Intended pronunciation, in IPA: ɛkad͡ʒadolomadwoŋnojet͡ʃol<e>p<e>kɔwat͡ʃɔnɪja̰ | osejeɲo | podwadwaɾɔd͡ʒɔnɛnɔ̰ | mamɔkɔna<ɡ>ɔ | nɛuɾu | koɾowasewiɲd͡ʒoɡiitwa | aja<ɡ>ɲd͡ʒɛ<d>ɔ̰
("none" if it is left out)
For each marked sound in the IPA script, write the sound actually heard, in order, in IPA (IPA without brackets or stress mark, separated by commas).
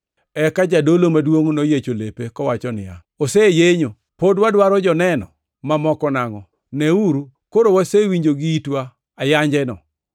e, e, ŋ, none, n